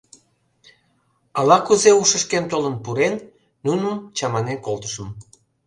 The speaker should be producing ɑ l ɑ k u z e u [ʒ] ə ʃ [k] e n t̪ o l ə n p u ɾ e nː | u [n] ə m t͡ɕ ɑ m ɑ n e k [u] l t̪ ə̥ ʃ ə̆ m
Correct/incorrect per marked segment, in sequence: incorrect: ʃ, correct, correct, incorrect: o

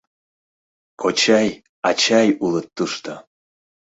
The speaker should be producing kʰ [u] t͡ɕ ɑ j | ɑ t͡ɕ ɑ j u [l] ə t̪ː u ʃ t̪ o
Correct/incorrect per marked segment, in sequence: incorrect: o, correct

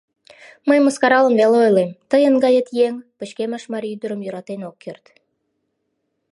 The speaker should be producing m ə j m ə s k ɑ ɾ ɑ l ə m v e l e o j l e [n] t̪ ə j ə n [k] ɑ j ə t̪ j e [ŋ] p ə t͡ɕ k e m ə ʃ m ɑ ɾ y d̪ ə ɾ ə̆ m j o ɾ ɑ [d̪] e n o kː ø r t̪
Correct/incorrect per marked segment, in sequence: incorrect: m, incorrect: ɡ, correct, incorrect: t̪

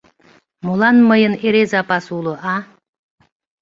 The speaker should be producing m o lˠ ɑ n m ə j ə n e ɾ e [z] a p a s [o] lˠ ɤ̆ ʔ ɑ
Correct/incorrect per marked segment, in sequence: correct, incorrect: u

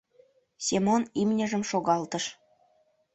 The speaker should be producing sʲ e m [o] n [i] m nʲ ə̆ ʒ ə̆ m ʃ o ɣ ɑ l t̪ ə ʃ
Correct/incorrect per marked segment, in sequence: correct, correct

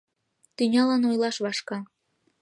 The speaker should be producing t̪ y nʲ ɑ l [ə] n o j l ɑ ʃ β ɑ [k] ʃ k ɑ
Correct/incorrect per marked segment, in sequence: incorrect: ɑ, incorrect: none

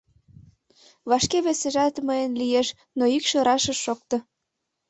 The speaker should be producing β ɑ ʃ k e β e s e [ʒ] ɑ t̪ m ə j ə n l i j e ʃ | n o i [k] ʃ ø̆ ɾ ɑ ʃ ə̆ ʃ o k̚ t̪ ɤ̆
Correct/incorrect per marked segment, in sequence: correct, correct

